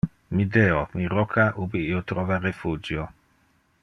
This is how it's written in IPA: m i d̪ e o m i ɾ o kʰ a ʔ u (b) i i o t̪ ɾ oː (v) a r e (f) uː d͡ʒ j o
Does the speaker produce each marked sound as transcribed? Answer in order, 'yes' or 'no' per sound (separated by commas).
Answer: yes, yes, yes